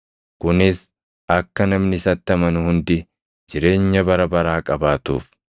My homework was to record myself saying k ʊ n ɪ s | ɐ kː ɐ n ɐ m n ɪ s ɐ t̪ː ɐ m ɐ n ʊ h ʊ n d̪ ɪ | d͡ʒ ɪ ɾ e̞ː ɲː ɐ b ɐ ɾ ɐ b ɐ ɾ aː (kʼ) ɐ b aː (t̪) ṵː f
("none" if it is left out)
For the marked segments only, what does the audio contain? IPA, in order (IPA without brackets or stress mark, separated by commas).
kʼ, t̪